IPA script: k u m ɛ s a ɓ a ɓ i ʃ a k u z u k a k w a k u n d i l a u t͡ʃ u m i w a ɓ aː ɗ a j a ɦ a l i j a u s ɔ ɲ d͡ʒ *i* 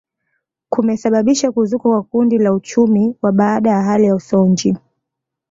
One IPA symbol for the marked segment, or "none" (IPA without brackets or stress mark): i